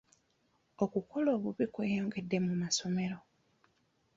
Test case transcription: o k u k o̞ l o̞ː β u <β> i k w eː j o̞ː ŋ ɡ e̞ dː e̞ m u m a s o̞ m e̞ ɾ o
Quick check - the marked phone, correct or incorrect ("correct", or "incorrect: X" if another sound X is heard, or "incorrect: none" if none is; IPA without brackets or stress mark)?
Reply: correct